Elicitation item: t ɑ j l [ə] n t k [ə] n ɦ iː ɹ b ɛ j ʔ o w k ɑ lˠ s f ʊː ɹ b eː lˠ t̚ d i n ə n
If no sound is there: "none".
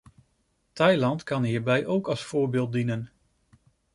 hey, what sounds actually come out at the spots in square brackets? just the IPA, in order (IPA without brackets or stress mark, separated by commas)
ɑ, ɑ